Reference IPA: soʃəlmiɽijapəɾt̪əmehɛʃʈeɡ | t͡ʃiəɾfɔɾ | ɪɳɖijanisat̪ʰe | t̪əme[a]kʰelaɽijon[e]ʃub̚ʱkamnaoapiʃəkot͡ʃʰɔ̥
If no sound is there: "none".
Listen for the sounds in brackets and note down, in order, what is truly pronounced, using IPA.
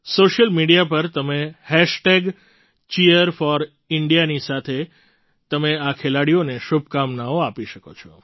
a, e

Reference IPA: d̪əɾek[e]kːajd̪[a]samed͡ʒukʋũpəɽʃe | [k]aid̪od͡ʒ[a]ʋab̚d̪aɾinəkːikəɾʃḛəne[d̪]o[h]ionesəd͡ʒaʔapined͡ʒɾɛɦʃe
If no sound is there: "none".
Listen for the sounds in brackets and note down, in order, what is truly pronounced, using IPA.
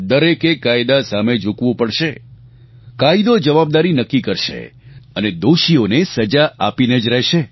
e, a, k, ə, d̪, ʃ

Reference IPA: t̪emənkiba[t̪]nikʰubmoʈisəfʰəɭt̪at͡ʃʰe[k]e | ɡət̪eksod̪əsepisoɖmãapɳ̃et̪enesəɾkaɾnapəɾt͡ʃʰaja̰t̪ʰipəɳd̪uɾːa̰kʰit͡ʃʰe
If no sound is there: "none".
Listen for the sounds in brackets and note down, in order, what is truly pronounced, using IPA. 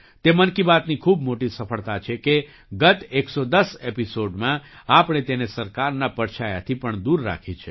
t̪, k

